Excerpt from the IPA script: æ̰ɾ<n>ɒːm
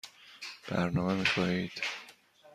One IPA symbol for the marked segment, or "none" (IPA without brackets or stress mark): n